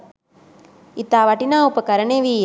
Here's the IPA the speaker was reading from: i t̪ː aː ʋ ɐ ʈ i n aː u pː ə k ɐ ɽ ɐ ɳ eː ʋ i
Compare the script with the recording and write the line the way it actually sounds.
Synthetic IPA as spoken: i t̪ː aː ʋ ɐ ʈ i n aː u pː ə k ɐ ɾ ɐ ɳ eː ʋ i